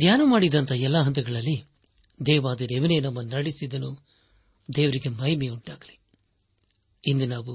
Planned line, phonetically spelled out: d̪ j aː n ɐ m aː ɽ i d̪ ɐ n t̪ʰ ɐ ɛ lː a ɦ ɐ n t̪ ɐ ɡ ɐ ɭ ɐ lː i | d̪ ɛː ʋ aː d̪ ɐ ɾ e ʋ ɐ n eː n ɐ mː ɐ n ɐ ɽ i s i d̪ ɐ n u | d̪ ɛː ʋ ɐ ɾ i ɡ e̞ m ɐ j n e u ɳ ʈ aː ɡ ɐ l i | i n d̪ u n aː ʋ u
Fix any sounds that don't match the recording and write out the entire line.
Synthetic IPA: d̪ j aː n ɐ m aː ɽ i d̪ ɐ n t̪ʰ ɐ ɛ lː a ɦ ɐ n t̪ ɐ ɡ ɐ ɭ ɐ lː i | d̪ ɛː ʋ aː d̪ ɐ ɾ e ʋ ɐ n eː n ɐ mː ɐ n ɐ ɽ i s i d̪ ɐ n u | d̪ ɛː ʋ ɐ ɾ i ɡ e̞ m ɐ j m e u ɳ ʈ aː ɡ ɐ l i | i n d̪ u n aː ʋ u